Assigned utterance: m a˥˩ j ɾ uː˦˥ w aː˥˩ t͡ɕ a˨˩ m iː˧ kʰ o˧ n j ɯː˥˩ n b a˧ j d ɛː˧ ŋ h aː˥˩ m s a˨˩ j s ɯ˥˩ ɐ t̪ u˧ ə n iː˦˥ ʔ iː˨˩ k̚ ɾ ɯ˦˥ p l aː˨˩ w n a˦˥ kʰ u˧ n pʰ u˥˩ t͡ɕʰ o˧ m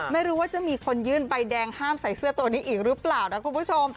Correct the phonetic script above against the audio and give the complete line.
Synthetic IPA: m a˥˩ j ɾ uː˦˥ w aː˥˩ t͡ɕ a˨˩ m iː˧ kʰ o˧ n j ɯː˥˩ n b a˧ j d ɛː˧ ŋ h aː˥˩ m s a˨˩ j s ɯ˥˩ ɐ t̪ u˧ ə n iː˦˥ ʔ iː˨˩ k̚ ɾ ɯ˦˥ p l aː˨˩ w n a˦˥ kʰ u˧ n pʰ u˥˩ t͡ɕʰ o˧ m